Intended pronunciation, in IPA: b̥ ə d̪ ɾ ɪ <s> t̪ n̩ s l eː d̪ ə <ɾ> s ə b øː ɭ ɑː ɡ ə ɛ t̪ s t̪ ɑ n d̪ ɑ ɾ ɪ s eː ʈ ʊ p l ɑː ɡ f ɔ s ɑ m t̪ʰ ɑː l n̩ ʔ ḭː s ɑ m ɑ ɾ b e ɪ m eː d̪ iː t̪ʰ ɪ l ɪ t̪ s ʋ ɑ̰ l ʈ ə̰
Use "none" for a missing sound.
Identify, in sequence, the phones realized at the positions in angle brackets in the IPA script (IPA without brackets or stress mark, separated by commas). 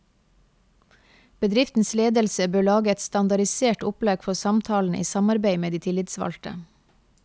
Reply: f, l